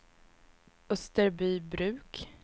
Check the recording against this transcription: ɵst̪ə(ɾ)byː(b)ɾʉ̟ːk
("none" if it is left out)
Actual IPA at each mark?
ɾ, b

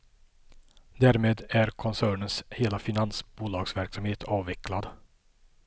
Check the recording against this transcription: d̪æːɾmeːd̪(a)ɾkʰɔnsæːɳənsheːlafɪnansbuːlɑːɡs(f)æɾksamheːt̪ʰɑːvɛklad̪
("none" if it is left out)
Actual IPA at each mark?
æ, v

